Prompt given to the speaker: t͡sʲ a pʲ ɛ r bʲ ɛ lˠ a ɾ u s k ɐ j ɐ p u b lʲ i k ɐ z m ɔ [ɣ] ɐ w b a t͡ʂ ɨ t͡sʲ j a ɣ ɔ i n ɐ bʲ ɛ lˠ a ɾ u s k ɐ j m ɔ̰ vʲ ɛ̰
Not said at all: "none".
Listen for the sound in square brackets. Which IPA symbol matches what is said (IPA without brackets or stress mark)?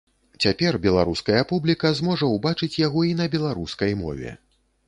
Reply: ʐ